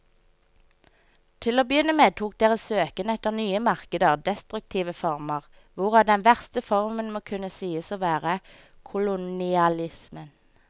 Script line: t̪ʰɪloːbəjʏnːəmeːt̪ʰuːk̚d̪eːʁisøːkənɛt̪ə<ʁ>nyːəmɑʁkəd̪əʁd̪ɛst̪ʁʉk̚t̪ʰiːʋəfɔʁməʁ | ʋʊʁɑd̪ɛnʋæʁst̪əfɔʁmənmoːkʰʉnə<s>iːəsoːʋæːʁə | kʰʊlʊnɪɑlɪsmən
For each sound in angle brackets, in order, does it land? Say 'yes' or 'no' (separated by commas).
yes, yes